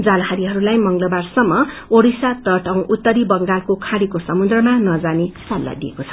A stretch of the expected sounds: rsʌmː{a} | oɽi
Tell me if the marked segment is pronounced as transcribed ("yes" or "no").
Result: no